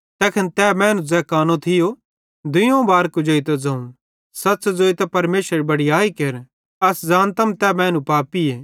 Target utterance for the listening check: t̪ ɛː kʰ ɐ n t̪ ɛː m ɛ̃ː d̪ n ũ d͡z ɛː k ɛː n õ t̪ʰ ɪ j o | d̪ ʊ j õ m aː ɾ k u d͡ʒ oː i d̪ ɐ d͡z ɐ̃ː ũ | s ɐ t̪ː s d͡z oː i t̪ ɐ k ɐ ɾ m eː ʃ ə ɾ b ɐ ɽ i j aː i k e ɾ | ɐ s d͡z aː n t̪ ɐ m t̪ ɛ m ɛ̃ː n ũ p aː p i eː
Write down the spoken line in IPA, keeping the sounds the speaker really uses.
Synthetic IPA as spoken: t̪ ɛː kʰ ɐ n t̪ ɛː m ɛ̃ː n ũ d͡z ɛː k aː n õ t̪ʰ ɪ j o | d̪ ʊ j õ b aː ɾ k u d͡ʒ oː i t̪ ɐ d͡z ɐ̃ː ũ | s ɐ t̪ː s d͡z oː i t̪ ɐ p ɐ ɾ m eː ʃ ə ɾ b ɐ ɽ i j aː i k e ɾ | ɐ s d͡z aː n t̪ ɐ m t̪ ɛ m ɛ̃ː n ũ p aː p i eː